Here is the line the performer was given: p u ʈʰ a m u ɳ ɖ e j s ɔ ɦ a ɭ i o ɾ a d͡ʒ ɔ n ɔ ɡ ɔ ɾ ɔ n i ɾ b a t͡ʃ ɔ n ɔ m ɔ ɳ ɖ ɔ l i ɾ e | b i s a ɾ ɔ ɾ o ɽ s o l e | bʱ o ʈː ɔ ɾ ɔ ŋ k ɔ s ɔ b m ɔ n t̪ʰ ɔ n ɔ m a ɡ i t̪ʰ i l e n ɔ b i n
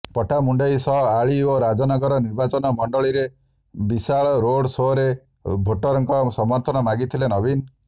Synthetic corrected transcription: p ɔ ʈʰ a m u ɳ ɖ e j s ɔ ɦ a ɭ i o ɾ a d͡ʒ ɔ n ɔ ɡ ɔ ɾ ɔ n i ɾ b a t͡ʃ ɔ n ɔ m ɔ ɳ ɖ ɔ ɭ i ɾ e | b i s a ɭ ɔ ɾ o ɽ s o ɾ e | bʱ o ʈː ɔ ɾ ɔ ŋ k ɔ s ɔ m ɔ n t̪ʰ ɔ n ɔ m a ɡ i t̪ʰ i l e n ɔ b i n